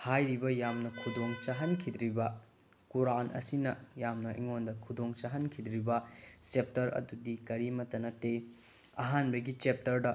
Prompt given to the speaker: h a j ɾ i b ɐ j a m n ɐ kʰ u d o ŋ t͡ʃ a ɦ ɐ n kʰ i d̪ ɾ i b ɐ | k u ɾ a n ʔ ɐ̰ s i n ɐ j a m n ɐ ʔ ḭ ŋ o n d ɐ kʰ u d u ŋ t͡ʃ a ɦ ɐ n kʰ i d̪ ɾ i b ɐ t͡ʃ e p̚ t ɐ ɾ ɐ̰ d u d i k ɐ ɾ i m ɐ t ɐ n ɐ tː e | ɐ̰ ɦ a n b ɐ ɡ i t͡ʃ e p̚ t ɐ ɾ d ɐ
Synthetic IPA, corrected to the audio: h a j ɾ i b ɐ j a m n ɐ kʰ u d o ŋ t͡ʃ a ɦ ɐ n kʰ i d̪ ɾ i b ɐ | k u ɾ a n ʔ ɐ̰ s i n ɐ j a m n ɐ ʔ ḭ ŋ o n d ɐ kʰ u d o ŋ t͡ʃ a ɦ ɐ n kʰ i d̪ ɾ i b ɐ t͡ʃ e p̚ t ɐ ɾ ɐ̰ d u d i k ɐ ɾ i m ɐ t ɐ n ɐ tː e | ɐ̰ ɦ a n b ɐ ɡ i t͡ʃ e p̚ t ɐ ɾ d ɐ